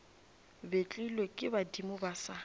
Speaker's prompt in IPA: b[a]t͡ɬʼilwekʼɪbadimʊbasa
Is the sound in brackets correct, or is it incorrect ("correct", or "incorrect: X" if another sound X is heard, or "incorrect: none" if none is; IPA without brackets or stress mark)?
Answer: incorrect: e